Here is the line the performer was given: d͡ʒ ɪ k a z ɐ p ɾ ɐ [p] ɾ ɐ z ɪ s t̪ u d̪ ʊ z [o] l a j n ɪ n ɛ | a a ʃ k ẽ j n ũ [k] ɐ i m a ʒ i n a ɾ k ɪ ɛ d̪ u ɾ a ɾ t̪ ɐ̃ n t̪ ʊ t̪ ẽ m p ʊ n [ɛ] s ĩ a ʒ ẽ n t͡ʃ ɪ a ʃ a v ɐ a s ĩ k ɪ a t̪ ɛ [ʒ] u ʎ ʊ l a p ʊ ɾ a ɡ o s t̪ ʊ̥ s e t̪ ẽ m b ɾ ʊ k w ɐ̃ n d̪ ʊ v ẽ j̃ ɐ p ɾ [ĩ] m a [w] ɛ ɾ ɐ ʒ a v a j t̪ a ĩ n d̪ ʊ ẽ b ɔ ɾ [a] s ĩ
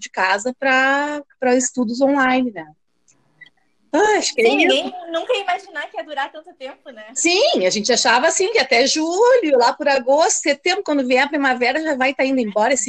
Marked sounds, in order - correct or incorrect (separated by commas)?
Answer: correct, incorrect, correct, correct, correct, incorrect, incorrect, incorrect